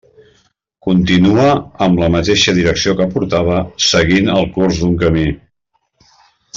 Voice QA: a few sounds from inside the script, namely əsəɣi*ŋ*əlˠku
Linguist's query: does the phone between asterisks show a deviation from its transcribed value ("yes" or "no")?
yes